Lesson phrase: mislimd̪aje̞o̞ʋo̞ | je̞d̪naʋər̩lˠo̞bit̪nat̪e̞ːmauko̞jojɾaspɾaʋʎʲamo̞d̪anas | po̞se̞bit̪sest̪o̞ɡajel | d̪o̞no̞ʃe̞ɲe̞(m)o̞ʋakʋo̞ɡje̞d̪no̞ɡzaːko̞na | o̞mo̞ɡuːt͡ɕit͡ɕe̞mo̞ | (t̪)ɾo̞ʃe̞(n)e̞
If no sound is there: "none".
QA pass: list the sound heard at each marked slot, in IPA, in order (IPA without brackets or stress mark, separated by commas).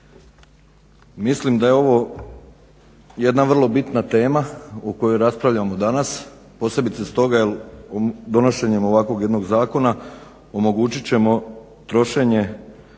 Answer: m, t̪, ɲ